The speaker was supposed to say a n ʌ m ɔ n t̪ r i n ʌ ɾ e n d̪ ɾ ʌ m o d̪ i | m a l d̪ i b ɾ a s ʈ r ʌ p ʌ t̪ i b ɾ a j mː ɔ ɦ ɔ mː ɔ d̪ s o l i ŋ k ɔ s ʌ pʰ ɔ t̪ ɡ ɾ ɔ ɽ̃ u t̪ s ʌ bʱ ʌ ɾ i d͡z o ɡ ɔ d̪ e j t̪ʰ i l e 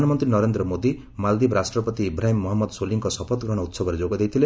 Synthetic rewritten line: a n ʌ m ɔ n t̪ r i n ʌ ɾ e n d̪ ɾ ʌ m o d̪ i | m a l d̪ i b ɾ a s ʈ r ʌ p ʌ t̪ i b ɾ a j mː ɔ ɦ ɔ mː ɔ d̪ s o l i ŋ k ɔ s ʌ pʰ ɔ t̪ ɡ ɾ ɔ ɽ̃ u t̪ s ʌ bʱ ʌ ɾ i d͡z o ɡ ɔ d̪ e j t̪ʰ i l e